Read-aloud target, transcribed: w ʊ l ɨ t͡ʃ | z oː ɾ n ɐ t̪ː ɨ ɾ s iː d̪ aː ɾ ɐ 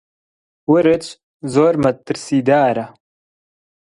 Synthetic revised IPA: w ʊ ɾ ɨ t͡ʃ | z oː ɾ m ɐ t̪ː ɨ ɾ s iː d̪ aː ɾ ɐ